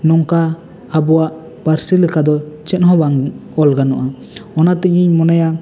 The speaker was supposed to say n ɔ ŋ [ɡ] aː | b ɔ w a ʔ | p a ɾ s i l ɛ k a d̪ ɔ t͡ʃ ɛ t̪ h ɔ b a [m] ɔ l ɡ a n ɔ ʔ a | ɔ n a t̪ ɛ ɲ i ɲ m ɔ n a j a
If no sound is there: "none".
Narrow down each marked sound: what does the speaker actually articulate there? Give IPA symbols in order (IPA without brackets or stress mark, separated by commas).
k, ŋ